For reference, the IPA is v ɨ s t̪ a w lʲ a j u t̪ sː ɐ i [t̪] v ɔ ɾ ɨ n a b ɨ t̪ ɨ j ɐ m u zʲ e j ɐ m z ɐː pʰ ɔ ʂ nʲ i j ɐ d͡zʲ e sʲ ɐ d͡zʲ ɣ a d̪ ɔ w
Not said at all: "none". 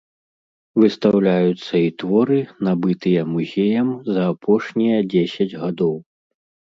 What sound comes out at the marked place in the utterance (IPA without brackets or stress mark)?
t̪